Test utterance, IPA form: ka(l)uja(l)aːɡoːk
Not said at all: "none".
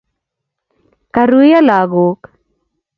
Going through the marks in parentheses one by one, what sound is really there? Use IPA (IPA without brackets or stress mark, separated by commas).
ɾ, l